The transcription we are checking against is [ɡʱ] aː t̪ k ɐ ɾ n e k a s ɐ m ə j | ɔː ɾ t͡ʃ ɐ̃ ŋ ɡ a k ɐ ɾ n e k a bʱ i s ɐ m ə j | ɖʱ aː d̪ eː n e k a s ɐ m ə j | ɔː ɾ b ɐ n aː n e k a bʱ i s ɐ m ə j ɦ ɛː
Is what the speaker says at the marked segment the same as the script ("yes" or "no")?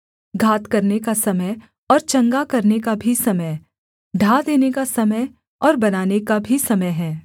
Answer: yes